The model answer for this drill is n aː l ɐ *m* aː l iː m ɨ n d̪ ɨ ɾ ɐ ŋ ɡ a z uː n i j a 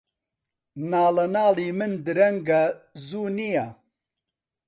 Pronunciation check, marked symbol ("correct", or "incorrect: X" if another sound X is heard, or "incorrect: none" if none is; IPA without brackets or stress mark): incorrect: n